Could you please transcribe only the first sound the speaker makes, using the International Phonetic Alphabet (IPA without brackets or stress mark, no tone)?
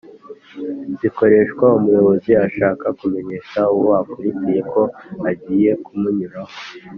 z